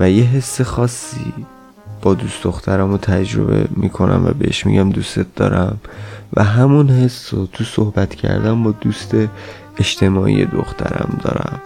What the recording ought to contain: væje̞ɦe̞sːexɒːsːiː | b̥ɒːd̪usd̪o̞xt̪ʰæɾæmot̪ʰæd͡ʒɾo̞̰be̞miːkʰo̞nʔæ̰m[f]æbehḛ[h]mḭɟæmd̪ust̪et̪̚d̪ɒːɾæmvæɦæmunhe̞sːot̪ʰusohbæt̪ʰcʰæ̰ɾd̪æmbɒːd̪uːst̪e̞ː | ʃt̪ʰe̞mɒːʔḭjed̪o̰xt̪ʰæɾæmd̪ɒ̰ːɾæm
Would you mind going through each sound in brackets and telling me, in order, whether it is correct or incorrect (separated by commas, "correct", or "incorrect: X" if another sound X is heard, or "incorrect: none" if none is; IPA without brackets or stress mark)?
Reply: incorrect: v, incorrect: ʃ